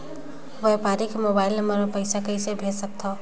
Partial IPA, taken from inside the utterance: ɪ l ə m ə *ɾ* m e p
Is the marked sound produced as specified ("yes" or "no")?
yes